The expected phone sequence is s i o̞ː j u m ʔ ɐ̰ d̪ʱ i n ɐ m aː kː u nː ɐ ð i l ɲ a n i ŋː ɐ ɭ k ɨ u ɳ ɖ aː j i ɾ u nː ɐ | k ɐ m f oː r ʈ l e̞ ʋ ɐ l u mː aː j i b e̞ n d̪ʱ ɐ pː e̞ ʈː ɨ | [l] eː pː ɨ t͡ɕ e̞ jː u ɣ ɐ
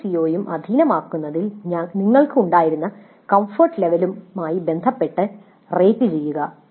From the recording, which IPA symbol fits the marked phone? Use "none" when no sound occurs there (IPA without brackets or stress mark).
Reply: r